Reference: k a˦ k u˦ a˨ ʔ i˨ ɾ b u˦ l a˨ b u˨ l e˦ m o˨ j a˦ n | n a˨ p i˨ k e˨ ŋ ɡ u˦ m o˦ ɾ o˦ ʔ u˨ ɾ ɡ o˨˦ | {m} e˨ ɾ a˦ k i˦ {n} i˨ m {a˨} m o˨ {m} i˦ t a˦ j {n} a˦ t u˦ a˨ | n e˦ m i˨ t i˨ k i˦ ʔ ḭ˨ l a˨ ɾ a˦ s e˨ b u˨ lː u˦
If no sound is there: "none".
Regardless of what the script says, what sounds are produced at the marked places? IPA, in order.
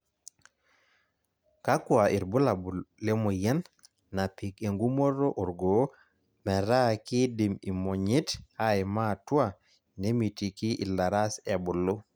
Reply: m, d, i˨, ɲ, m

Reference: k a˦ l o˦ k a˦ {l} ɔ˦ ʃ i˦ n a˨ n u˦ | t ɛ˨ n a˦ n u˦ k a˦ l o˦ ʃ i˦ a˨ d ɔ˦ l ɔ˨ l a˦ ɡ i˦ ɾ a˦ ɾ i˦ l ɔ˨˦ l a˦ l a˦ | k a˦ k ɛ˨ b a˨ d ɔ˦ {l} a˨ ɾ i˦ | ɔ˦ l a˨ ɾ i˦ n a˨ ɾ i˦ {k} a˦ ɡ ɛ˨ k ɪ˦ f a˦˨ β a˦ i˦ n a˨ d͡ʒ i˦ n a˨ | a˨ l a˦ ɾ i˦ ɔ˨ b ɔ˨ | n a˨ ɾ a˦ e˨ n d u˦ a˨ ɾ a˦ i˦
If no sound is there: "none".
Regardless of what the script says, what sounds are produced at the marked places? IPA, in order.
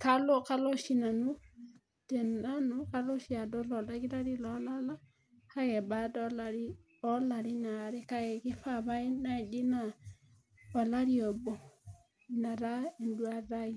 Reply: l, l, k

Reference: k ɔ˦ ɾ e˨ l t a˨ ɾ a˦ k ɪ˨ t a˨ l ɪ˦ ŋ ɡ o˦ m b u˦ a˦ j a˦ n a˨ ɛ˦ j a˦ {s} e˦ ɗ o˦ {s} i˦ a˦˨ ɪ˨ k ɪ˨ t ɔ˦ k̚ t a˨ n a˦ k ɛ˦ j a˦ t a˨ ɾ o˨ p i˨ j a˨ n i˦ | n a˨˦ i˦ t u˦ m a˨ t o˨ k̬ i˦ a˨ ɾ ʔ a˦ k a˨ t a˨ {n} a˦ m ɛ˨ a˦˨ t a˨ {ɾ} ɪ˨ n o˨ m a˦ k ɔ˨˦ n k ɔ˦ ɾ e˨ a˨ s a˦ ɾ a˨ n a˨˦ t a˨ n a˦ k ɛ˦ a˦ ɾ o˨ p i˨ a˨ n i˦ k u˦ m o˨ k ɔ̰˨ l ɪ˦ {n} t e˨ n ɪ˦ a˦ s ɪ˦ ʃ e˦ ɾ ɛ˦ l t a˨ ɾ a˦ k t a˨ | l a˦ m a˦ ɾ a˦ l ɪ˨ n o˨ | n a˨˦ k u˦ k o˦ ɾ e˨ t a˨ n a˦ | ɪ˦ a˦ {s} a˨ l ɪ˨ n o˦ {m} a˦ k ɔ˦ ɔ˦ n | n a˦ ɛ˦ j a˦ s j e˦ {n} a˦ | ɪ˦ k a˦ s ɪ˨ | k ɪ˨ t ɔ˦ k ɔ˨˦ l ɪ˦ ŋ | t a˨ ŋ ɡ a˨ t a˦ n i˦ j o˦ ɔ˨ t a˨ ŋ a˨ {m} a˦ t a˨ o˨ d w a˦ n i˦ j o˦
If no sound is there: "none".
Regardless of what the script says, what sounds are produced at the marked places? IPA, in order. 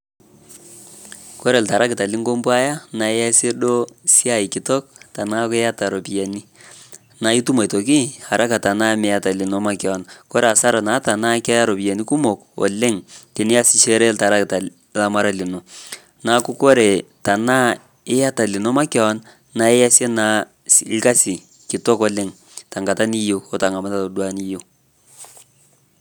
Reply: s, s, n, l, ŋ, t, m, n, m

